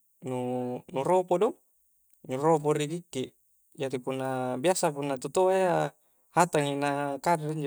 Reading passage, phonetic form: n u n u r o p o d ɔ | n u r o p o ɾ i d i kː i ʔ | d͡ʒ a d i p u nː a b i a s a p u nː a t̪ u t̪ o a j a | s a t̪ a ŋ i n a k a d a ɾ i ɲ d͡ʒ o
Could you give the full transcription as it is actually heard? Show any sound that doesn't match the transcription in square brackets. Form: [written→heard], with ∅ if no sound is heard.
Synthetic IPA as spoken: n u n u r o p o d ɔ | n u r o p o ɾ i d i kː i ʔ | d͡ʒ a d i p u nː a b i a s a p u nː a t̪ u t̪ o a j a | [s→h] a t̪ a ŋ i n a k a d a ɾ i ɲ d͡ʒ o